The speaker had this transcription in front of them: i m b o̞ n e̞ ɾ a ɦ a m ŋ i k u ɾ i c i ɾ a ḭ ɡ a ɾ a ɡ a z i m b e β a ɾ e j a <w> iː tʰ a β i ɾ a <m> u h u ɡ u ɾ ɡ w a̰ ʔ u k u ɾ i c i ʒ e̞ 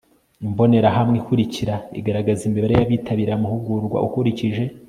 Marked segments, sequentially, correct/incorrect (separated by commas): incorrect, correct